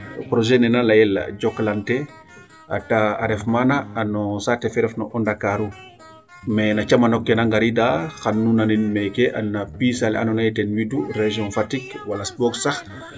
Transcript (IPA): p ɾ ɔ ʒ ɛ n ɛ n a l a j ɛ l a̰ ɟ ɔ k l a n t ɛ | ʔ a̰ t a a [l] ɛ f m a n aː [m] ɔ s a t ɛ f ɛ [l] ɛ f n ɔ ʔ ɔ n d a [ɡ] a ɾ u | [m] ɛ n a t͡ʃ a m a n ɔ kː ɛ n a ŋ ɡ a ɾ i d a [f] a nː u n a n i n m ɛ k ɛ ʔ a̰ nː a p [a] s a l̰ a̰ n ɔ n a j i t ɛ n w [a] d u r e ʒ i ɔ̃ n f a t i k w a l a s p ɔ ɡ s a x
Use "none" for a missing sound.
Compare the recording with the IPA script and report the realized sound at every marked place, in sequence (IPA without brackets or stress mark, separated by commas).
ɾ, n, ɾ, k, m, x, i, i